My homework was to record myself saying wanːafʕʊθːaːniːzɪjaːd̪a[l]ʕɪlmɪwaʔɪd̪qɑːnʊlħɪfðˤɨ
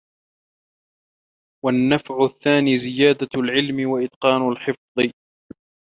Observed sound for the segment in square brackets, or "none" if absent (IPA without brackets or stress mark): l